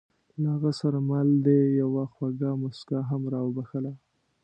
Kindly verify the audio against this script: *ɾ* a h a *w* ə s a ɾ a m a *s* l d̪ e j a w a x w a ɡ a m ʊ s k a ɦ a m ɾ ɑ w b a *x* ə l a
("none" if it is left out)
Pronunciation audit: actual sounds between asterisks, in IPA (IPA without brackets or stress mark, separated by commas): l, ɣ, none, x